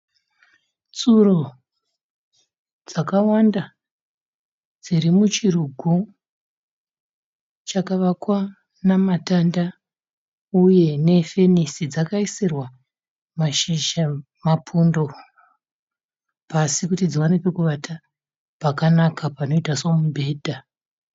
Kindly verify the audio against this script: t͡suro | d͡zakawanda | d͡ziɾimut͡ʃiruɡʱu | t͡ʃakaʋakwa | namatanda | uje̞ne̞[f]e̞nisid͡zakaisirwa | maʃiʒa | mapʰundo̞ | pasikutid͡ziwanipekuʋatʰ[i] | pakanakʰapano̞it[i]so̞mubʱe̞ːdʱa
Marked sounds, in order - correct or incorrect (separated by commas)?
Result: correct, incorrect, incorrect